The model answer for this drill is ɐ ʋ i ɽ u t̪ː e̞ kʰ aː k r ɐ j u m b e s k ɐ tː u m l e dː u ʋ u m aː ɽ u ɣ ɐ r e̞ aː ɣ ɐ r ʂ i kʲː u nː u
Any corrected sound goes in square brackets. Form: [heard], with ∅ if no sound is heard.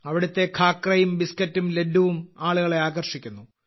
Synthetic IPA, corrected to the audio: ɐ ʋ i ɽ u t̪ː e̞ kʰ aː k r ɐ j u m b [i] s k ɐ tː u m l e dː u ʋ u m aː [ɭ] u ɣ ɐ [ɭ] e̞ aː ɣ ɐ r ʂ i kʲː u nː u